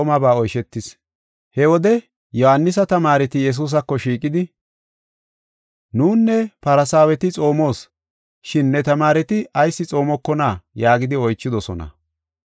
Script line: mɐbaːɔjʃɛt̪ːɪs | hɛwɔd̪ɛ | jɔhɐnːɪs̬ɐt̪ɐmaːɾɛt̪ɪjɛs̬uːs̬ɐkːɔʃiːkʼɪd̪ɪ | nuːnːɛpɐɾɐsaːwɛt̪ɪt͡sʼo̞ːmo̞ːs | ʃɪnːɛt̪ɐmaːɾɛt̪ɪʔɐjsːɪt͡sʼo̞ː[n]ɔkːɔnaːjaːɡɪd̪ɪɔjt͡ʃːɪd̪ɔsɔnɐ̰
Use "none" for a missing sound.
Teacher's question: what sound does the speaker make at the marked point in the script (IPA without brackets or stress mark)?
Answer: m